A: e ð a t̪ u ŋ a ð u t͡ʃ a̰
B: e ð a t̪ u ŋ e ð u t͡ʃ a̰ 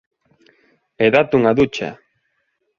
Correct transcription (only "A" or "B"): A